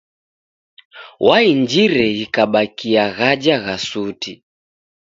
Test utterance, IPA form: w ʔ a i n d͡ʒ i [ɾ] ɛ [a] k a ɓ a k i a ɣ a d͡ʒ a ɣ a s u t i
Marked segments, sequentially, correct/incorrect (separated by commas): correct, incorrect